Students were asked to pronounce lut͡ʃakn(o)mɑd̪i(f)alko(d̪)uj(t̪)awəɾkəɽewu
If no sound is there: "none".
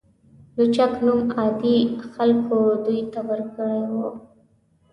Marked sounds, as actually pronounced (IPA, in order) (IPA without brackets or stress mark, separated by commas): u, x, d̪, t̪